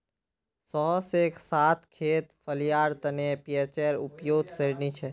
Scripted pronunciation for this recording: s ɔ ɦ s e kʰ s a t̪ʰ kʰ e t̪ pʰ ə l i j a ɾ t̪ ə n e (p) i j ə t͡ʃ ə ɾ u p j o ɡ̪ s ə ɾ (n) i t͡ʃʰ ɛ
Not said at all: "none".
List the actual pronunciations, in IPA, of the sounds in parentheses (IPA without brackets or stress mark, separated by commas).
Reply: p, n